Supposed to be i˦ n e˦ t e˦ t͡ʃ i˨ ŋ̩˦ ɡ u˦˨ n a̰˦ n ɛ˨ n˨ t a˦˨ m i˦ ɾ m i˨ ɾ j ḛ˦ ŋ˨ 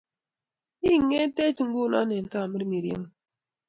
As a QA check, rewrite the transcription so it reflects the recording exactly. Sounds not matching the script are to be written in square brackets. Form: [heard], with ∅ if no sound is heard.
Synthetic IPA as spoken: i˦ [ŋ] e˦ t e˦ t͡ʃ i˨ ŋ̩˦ ɡ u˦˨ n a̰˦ n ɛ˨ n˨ t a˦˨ m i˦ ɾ m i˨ ɾ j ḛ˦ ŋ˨

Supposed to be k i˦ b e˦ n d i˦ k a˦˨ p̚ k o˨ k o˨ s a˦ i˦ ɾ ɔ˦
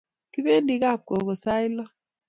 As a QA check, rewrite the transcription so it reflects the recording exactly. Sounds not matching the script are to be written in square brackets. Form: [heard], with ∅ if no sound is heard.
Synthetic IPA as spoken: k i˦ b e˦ n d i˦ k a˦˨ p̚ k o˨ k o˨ s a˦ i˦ [l] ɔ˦

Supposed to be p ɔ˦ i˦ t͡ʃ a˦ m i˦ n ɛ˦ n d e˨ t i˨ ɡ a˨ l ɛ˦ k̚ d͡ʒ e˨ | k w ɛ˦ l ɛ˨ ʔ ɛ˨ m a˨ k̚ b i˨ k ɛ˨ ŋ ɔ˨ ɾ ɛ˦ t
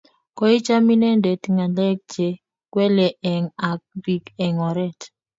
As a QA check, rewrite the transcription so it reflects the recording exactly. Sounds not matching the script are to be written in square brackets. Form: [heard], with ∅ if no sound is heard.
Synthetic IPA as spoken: [k] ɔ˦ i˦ t͡ʃ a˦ m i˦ n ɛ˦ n d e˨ t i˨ [ŋ] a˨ l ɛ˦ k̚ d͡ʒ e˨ | k w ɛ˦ l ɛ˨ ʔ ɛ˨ [ŋ] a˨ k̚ b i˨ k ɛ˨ ŋ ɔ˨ ɾ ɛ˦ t

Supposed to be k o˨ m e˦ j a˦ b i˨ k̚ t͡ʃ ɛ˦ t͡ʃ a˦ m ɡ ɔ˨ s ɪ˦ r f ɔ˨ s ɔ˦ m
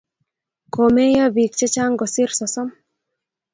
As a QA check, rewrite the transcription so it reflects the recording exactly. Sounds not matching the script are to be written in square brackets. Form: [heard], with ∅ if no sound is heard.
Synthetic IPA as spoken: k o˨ m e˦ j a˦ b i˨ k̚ t͡ʃ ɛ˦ t͡ʃ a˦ [ŋ] ɡ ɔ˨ s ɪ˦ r [s] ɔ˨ s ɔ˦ m

